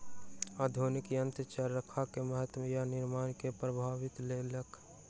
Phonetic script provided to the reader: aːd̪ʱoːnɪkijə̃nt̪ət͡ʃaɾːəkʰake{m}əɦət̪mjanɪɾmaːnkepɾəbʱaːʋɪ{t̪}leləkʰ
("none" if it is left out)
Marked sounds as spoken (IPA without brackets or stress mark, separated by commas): m, t̪